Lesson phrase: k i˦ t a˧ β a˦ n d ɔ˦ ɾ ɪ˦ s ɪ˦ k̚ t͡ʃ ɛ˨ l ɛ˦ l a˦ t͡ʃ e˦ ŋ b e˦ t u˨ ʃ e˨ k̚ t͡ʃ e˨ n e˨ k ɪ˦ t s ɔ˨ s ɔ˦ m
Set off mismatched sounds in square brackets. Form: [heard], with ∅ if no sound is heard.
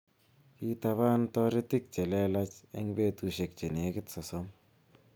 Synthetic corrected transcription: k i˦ t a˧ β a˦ n [t] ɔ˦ ɾ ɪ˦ [t] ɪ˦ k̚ t͡ʃ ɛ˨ l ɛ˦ l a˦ t͡ʃ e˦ ŋ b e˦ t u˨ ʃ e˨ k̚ t͡ʃ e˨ n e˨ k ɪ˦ t s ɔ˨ s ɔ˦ m